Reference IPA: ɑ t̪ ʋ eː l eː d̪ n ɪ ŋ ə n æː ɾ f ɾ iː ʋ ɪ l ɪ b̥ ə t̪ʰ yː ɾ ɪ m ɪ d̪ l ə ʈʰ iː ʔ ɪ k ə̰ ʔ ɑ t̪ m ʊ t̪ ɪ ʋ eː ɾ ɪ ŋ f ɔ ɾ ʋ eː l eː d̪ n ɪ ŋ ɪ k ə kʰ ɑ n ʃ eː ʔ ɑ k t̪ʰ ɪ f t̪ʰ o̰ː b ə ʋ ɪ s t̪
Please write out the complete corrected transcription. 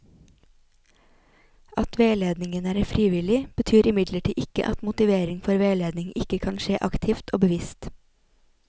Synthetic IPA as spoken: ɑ t̪ ʋ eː l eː d̪ n ɪ ŋ ə n æː ɾ f ɾ iː ʋ ɪ l ɪ b̥ ə t̪ʰ yː ɾ ɪ m ɪ d̪ l ə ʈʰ iː ʔ ɪ k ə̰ ʔ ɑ t̪ m ʊ t̪ ɪ ʋ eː ɾ ɪ ŋ f ɔ ɾ ʋ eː l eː d̪ n ɪ ŋ ɪ k ə kʰ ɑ n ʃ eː ʔ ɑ k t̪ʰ ɪ f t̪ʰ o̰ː b ə ʋ ɪ s t̪